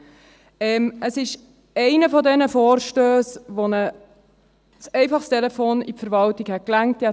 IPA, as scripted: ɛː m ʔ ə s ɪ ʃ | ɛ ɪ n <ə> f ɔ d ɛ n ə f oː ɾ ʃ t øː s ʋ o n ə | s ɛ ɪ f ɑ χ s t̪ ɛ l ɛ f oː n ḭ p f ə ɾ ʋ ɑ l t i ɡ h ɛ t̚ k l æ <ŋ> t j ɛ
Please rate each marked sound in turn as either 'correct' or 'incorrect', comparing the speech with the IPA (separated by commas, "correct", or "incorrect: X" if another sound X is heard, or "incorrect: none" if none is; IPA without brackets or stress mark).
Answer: correct, correct